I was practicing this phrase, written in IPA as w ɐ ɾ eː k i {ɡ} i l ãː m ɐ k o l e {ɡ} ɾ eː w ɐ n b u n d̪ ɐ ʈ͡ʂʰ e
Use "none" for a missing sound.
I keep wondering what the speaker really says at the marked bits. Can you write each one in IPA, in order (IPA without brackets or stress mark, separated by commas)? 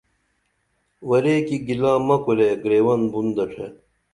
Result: ɡ, ɡ